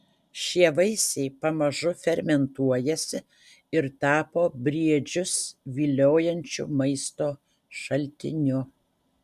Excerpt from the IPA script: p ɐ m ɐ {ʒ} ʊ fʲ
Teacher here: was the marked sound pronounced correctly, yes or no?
yes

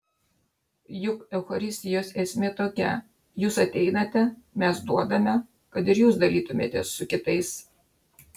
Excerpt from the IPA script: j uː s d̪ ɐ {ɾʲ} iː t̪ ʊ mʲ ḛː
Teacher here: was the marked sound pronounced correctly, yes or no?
no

